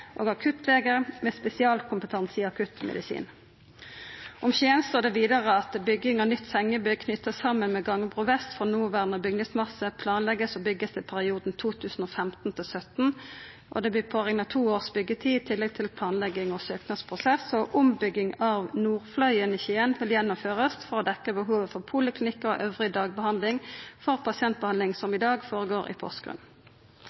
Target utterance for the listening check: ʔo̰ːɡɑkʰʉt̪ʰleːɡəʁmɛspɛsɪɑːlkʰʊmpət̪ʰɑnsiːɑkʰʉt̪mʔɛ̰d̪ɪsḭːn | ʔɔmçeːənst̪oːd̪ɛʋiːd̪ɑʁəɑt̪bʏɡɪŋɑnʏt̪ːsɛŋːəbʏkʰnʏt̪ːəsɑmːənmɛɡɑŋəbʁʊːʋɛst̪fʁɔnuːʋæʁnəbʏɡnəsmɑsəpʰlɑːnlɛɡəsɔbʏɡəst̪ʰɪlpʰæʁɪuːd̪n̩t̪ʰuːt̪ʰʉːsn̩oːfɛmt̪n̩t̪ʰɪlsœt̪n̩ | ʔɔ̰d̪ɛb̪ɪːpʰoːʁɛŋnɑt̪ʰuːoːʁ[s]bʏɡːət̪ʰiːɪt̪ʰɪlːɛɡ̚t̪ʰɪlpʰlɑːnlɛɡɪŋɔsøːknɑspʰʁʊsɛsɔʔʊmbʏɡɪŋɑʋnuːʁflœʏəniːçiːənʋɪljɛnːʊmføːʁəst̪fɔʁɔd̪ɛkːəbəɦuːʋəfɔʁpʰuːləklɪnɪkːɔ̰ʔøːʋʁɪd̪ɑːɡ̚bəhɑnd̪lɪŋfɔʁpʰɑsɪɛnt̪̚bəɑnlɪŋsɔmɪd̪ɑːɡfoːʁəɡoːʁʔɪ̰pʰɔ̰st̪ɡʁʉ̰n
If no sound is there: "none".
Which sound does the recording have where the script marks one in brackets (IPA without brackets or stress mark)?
s